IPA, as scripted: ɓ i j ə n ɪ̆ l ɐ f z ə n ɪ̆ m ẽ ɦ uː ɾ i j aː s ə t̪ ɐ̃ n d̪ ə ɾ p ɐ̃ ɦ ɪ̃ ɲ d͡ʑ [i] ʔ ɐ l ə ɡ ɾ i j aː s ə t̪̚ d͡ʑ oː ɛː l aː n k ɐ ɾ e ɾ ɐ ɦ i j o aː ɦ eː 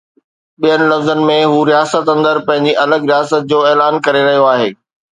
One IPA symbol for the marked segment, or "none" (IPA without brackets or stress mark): i